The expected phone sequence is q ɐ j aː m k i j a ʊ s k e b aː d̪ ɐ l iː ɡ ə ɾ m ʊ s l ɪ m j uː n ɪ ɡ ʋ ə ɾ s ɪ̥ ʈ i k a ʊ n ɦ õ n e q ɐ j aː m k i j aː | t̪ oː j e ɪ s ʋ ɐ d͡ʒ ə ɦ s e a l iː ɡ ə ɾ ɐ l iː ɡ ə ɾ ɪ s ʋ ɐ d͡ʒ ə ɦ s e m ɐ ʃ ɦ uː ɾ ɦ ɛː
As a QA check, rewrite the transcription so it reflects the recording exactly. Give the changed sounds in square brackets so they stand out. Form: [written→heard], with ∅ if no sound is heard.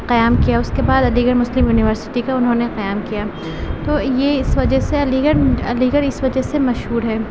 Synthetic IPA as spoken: q ɐ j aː m k i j a ʊ s k e b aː d̪ ɐ l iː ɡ ə ɾ m ʊ s l ɪ m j uː n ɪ [ɡ→∅] ʋ ə ɾ s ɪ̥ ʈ i k a ʊ n ɦ õ n e q ɐ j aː m k i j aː | t̪ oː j e ɪ s ʋ ɐ d͡ʒ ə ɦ s e [a→ɐ] l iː ɡ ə ɾ ɐ l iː ɡ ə ɾ ɪ s ʋ ɐ d͡ʒ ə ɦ s e m ɐ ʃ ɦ uː ɾ ɦ ɛː